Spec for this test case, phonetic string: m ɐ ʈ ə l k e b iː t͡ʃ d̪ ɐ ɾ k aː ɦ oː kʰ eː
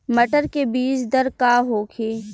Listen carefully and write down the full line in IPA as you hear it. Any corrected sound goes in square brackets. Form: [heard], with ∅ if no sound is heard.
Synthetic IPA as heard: m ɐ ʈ ə [ɾ] k e b iː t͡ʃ d̪ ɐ ɾ k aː ɦ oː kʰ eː